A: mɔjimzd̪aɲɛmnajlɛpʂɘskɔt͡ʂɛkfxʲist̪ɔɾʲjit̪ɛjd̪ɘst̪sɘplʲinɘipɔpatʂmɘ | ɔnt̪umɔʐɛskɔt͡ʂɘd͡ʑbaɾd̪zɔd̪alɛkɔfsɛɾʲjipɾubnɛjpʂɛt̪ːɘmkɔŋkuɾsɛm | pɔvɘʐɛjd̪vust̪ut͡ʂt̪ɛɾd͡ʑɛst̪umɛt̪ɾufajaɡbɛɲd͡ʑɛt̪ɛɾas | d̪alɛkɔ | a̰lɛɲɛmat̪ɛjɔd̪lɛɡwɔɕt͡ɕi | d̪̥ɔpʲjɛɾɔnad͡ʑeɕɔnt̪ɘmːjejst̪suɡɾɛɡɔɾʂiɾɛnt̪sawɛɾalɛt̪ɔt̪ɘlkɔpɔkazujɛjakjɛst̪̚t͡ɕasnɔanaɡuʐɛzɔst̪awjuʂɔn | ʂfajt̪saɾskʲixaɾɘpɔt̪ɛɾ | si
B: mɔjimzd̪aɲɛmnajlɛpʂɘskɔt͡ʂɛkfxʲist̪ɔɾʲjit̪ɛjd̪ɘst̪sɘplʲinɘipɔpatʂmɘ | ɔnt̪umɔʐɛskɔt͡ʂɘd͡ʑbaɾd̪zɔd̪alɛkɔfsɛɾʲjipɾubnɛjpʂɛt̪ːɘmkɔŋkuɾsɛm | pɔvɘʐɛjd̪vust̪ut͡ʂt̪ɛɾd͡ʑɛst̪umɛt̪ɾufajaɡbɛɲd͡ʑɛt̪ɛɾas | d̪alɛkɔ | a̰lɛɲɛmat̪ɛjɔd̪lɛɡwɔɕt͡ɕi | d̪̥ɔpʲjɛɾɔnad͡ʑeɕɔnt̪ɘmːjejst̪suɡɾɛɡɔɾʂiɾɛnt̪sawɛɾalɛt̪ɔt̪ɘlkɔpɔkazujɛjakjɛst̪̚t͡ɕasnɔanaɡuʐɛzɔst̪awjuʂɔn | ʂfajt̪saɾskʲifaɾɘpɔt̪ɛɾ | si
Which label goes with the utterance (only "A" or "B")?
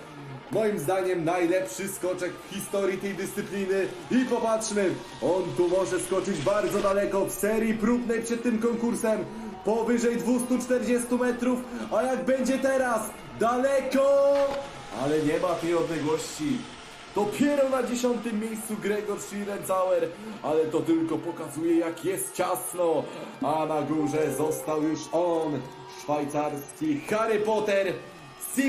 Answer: A